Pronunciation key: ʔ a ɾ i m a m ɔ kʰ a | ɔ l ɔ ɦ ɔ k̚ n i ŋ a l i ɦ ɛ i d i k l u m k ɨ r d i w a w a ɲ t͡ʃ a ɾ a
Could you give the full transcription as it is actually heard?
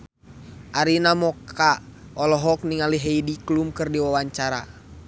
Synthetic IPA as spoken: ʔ a ɾ i n a m ɔ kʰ a | ɔ l ɔ ɦ ɔ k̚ n i ŋ a l i ɦ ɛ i d i k l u m k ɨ r d i w a w a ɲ t͡ʃ a ɾ a